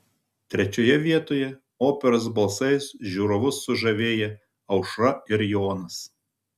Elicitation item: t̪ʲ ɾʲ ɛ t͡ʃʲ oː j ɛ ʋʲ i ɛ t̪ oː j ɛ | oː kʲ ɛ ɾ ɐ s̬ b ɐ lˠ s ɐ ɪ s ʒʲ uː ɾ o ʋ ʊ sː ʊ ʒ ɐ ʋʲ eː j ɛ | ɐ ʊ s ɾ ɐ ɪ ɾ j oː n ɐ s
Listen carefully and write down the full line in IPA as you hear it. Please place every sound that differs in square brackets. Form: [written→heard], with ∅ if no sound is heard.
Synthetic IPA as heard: t̪ʲ ɾʲ ɛ t͡ʃʲ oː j ɛ ʋʲ i ɛ t̪ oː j ɛ | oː [kʲ→pʲ] ɛ ɾ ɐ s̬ b ɐ lˠ s ɐ ɪ s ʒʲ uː ɾ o ʋ ʊ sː ʊ ʒ ɐ ʋʲ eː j ɛ | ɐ ʊ [s→ʃ] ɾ ɐ ɪ ɾ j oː n ɐ s